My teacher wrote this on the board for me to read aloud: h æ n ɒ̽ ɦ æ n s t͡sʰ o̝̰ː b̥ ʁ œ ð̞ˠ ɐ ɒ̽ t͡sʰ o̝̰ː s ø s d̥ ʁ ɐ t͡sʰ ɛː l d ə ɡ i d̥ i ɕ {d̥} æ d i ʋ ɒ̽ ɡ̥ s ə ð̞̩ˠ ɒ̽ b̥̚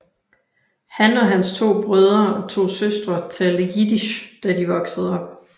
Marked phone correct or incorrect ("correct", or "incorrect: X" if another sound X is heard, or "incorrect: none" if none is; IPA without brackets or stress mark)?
correct